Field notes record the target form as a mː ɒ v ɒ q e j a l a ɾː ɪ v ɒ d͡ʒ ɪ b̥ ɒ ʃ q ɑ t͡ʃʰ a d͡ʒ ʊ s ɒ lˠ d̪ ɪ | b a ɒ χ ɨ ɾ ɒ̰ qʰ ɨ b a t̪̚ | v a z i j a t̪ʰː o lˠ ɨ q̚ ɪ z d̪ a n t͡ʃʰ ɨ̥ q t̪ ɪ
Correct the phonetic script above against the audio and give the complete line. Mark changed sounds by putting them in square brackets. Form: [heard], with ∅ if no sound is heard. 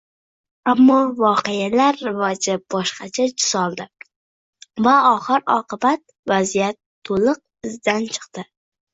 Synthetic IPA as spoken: a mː ɒ v ɒ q e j a l a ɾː ɪ v ɒ d͡ʒ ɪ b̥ ɒ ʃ q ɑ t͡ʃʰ a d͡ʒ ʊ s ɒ lˠ d̪ ɪ | [v] a ɒ χ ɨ ɾ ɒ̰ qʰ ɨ b a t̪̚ | v a z i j a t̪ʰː o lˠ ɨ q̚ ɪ z d̪ a n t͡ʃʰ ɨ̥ q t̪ ɪ